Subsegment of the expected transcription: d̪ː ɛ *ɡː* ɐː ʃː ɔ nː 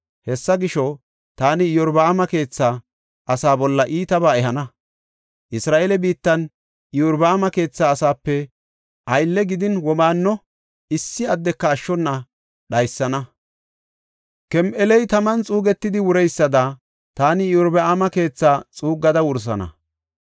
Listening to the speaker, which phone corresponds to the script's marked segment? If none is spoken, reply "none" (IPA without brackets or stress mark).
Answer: kː